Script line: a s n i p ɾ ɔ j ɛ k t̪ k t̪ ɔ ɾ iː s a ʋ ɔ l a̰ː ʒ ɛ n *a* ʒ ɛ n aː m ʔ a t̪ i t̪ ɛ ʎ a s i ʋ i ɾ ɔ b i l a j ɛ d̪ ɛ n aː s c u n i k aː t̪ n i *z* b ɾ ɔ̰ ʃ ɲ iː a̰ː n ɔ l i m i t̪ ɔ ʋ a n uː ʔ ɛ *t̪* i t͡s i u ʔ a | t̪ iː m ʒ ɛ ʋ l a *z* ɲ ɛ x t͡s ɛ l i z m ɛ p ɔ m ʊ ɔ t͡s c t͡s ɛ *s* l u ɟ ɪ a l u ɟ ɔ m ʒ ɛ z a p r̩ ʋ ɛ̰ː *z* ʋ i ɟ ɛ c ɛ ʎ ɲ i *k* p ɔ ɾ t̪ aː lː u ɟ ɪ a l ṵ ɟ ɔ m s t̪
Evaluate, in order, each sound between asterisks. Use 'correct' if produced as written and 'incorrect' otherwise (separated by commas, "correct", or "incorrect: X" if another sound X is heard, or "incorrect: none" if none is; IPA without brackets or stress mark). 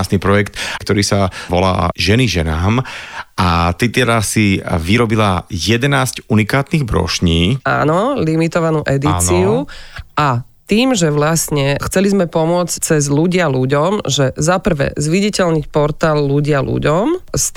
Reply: incorrect: i, incorrect: ɣ, incorrect: d̪, incorrect: s, incorrect: z, correct, incorrect: c